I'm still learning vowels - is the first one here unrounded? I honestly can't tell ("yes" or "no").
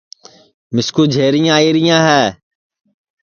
yes